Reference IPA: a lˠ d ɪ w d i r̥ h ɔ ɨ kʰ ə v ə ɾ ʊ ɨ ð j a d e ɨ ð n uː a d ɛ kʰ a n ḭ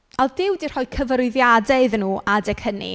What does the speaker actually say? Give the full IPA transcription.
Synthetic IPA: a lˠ d ɪ w d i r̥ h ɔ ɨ kʰ ə v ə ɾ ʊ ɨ ð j a d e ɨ ð n uː a d ɛ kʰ ə n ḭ